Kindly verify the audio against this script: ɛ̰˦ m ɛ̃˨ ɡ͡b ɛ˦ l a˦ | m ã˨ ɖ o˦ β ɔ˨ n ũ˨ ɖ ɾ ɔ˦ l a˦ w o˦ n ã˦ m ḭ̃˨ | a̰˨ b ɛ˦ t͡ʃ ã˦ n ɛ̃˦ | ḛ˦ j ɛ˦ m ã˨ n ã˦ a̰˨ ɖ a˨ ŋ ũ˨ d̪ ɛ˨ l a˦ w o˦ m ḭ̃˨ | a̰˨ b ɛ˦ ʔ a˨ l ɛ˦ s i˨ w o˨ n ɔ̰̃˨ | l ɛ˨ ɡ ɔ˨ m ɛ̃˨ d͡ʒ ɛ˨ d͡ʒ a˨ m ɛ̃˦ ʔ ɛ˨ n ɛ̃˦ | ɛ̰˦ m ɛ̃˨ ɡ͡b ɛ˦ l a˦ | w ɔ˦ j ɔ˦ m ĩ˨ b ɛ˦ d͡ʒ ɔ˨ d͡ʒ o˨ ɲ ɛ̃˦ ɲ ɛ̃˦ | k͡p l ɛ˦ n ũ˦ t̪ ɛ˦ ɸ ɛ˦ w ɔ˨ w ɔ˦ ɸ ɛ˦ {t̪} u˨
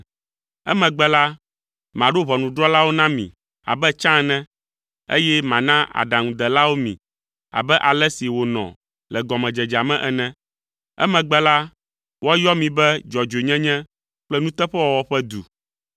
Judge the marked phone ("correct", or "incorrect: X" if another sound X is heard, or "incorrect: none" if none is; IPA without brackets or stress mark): incorrect: d̪